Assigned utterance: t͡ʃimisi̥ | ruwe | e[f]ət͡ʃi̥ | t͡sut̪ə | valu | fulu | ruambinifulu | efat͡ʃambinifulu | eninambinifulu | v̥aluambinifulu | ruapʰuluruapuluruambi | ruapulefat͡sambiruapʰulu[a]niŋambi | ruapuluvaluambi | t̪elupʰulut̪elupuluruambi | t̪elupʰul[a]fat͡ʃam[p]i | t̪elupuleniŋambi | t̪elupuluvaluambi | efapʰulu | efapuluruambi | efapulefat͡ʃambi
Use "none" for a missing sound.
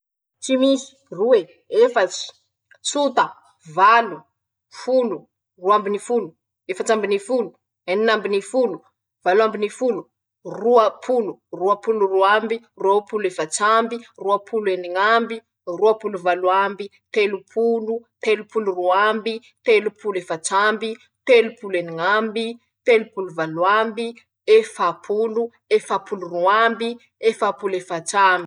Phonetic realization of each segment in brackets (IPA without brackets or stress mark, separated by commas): f, e, e, b